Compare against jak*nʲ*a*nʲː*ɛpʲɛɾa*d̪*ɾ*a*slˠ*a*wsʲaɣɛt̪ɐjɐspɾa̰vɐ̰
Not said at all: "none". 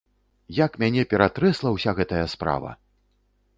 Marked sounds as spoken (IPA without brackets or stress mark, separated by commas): mʲ, nʲ, t̪, ɛ, ɐ